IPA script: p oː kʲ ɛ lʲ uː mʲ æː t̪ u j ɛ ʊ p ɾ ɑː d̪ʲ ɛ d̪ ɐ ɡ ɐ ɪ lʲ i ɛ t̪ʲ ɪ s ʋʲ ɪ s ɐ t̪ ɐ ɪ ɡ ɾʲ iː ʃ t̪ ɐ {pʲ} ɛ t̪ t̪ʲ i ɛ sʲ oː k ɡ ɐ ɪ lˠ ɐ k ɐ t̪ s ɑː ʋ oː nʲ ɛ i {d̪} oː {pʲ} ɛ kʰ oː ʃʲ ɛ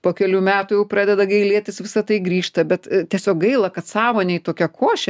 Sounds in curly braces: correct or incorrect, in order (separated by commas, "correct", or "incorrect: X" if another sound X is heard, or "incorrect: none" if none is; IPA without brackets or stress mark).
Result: incorrect: bʲ, incorrect: t̪, incorrect: kʲ